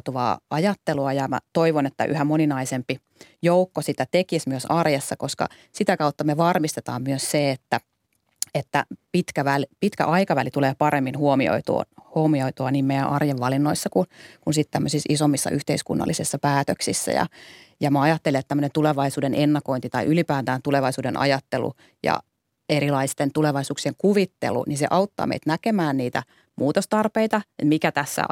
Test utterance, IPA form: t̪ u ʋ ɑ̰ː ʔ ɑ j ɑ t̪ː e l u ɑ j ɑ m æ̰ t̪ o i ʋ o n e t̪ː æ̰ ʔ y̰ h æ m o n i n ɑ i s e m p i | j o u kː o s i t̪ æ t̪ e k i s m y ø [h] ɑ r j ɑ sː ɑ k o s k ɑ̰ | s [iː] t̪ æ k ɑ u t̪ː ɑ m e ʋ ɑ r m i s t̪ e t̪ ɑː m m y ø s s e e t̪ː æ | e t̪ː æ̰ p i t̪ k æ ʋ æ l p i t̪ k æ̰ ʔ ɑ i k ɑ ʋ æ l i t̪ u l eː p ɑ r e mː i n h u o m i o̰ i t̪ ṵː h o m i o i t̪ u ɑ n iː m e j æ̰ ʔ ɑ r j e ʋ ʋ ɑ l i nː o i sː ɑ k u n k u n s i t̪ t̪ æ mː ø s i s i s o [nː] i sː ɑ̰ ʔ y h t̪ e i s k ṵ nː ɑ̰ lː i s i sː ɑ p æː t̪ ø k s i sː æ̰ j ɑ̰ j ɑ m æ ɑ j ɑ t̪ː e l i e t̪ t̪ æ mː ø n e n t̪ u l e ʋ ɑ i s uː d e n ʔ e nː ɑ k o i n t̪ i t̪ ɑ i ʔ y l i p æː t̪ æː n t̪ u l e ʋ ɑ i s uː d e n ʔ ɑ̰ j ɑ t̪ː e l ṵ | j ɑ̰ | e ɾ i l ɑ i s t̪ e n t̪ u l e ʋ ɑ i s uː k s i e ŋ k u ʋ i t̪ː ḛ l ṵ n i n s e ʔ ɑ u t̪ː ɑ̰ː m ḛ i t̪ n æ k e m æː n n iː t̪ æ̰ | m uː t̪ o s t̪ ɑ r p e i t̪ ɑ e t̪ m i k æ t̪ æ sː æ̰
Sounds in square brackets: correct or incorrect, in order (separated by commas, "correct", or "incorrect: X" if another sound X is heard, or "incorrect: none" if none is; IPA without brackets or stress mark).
incorrect: s, incorrect: i, incorrect: mː